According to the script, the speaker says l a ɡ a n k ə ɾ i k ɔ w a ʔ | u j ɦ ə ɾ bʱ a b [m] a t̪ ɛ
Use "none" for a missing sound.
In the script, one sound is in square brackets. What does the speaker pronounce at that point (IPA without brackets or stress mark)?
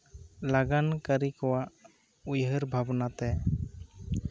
n